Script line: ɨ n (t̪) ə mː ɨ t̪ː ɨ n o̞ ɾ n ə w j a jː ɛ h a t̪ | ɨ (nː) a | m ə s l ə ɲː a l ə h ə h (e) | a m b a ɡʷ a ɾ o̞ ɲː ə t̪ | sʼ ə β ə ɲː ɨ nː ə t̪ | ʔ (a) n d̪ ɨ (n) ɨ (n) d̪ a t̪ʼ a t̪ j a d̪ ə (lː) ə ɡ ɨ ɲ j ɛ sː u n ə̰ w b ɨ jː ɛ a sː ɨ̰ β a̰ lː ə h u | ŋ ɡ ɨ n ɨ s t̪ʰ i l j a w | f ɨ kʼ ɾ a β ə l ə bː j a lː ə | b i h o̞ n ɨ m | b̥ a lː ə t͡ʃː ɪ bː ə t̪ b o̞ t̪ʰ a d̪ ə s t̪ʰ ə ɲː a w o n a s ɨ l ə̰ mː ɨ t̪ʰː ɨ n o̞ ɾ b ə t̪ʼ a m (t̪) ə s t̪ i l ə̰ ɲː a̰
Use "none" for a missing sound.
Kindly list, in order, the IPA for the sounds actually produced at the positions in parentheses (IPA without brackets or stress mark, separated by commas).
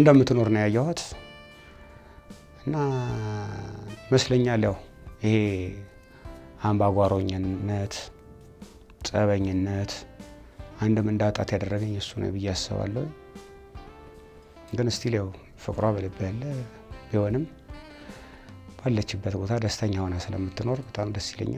d̪, nː, e, a, m, n, rː, d̪